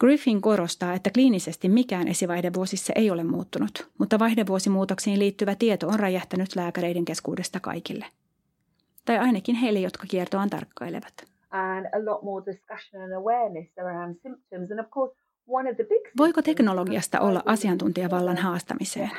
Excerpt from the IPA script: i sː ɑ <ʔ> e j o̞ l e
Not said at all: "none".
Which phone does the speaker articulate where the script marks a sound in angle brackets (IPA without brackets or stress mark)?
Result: ʔ